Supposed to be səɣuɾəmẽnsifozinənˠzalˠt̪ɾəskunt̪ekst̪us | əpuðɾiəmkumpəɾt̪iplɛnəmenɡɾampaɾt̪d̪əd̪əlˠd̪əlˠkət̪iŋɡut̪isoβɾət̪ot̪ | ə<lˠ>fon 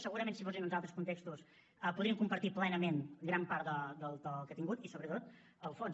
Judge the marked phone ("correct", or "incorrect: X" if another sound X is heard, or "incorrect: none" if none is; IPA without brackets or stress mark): correct